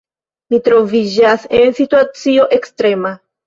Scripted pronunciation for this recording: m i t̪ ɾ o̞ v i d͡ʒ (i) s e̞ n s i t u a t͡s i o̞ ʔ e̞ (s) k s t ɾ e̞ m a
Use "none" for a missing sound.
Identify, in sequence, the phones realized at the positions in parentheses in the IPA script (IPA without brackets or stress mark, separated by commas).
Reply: a, none